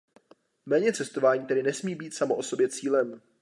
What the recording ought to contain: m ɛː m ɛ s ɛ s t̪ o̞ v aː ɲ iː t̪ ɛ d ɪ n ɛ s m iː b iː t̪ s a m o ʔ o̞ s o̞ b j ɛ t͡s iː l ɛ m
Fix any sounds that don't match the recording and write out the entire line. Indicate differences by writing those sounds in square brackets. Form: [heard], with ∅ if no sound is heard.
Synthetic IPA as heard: m ɛː [ɲ] ɛ [t͡s] ɛ s t̪ o̞ v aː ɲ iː t̪ ɛ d ɪ n ɛ s m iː b iː t̪ s a m o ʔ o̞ s o̞ b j ɛ t͡s iː l ɛ m